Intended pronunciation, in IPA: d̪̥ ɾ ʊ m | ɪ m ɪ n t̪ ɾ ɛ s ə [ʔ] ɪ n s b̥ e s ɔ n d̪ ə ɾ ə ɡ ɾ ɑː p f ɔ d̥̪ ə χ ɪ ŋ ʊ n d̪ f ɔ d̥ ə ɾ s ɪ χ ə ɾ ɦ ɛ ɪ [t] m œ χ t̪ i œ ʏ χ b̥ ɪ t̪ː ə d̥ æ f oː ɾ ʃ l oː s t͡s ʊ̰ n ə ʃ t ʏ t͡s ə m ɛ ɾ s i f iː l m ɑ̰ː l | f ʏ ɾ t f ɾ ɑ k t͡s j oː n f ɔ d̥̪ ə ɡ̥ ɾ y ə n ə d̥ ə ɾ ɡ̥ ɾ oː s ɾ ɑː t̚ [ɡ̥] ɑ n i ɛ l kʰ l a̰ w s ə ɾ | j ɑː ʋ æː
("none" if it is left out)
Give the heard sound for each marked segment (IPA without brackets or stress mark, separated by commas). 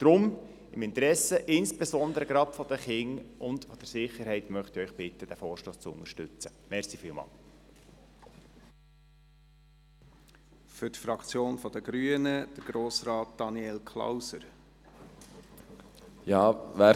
ʔ, t, d̥